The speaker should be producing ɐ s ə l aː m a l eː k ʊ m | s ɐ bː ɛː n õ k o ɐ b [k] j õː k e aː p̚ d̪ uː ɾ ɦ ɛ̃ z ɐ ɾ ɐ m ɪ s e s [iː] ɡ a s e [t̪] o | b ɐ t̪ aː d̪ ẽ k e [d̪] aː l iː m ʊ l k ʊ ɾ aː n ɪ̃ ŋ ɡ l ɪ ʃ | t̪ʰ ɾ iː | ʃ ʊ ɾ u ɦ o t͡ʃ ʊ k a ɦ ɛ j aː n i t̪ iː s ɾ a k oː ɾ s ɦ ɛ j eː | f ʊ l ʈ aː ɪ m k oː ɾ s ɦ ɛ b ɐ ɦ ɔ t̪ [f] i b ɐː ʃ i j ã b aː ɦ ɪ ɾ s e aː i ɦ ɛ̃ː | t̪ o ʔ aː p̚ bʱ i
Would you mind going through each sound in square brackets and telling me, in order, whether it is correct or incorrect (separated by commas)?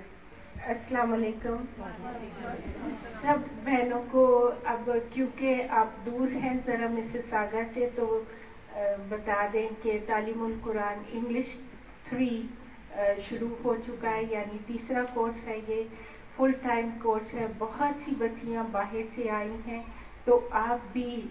correct, incorrect, correct, incorrect, incorrect